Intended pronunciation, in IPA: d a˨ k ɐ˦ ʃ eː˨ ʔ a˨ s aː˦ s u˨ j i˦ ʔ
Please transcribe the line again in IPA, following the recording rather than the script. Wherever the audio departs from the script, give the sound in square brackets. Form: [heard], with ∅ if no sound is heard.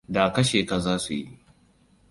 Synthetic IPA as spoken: d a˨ k ɐ˦ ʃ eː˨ [k] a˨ [z] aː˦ s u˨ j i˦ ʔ

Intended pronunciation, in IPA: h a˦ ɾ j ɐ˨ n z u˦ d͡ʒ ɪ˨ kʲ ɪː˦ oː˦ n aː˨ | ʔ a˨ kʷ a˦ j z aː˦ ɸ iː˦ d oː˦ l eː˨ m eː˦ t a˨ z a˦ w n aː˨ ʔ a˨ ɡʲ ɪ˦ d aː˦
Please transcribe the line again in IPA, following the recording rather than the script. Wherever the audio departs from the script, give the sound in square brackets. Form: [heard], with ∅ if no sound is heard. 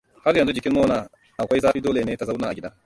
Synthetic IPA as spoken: h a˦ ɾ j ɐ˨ n z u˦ d͡ʒ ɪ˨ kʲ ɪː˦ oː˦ n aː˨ | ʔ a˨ kʷ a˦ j z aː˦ ɸ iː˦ d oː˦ l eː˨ [n] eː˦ t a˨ z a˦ w n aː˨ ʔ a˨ ɡʲ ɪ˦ d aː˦

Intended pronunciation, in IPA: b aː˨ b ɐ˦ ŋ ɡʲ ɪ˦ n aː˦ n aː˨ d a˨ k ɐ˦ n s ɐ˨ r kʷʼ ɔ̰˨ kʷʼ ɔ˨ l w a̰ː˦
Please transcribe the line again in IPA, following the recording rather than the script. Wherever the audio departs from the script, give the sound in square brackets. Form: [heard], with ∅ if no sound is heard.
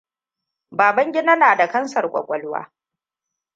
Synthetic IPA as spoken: b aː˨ b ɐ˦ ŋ ɡʲ ɪ˦ n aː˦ n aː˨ d a˨ k ɐ˦ n s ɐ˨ r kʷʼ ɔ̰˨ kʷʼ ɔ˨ l w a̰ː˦

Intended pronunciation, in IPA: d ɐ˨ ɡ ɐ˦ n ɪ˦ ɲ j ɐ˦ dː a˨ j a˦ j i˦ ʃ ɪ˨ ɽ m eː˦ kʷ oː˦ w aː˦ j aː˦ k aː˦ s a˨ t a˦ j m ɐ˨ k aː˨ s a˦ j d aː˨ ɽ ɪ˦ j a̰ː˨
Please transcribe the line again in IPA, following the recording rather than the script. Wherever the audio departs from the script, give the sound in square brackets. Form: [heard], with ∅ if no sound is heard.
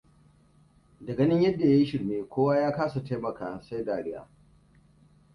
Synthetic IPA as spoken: d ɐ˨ ɡ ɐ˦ n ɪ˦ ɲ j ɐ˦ dː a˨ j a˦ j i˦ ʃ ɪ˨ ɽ m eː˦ kʷ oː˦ w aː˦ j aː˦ k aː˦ s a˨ t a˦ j m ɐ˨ k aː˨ s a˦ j d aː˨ ɽ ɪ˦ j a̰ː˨

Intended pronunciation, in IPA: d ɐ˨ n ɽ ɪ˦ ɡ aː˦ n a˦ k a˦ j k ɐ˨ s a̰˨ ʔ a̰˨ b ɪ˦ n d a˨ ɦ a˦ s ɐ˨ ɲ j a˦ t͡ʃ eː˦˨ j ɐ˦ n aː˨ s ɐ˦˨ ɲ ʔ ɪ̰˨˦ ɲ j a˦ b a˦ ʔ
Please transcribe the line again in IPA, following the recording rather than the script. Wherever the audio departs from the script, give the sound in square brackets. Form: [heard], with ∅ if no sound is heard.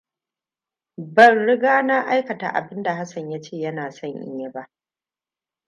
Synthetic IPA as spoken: [b] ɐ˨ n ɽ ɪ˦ ɡ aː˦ n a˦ [ʔ] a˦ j k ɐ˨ [t] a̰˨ ʔ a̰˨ b ɪ˦ n d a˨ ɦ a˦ s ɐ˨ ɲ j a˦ t͡ʃ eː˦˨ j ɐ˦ n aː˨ s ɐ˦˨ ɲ ʔ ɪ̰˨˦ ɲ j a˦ b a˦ ʔ

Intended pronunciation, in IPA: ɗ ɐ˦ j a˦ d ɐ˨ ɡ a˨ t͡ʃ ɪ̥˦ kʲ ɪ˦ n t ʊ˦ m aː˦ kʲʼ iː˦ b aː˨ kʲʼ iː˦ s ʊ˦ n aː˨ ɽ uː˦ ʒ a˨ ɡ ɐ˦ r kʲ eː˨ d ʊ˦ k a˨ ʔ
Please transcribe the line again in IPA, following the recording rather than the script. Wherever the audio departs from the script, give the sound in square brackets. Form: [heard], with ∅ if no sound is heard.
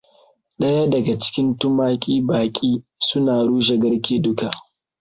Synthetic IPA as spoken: ɗ ɐ˦ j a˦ d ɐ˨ ɡ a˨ t͡ʃ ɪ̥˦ kʲ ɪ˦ n t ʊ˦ m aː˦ kʲʼ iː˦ b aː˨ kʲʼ iː˦ s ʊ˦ n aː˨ ɽ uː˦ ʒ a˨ ɡ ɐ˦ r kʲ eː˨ d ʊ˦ k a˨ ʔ

